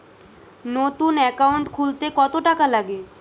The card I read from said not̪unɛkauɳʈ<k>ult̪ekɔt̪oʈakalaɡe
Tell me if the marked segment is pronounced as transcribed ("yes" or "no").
no